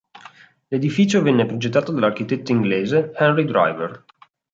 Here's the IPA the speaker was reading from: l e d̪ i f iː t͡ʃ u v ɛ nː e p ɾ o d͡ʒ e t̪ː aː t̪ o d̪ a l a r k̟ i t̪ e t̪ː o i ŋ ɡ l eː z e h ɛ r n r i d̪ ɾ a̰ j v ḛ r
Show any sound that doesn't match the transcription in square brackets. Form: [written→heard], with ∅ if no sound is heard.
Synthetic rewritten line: l e d̪ i f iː t͡ʃ [u→o] v ɛ nː e p ɾ o d͡ʒ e t̪ː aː t̪ o d̪ a l a r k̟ i t̪ e t̪ː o i ŋ ɡ l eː z e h ɛ [r→∅] n r i d̪ ɾ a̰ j v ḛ r